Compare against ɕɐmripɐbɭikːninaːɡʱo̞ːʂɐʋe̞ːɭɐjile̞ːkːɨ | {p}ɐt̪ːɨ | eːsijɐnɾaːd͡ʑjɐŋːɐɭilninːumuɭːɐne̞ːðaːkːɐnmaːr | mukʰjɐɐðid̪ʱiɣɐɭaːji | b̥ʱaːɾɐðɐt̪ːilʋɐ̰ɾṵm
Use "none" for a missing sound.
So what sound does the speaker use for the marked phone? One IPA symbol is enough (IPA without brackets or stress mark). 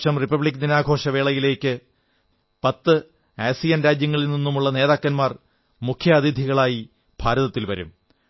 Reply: p